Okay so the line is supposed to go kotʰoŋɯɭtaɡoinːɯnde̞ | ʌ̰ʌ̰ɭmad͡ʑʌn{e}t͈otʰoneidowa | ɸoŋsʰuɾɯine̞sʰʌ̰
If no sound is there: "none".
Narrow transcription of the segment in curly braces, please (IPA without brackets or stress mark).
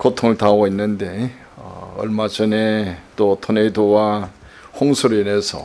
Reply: e